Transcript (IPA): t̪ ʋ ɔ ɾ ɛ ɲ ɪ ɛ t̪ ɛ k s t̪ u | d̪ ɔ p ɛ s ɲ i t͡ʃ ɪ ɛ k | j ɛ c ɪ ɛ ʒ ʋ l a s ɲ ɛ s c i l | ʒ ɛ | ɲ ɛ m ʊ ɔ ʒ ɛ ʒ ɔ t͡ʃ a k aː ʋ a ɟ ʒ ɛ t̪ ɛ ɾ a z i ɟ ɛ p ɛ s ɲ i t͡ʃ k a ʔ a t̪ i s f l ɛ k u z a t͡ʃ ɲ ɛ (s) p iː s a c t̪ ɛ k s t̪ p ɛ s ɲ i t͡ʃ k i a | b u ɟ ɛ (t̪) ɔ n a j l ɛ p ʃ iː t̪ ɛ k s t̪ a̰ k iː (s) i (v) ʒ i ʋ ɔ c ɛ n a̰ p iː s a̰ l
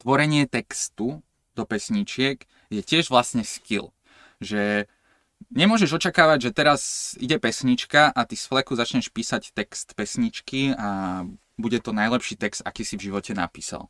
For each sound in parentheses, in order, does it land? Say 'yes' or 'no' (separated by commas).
no, yes, yes, yes